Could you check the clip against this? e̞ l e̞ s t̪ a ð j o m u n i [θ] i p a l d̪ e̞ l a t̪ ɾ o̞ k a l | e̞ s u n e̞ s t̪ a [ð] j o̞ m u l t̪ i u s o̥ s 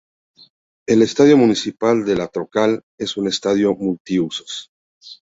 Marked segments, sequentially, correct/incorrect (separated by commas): incorrect, correct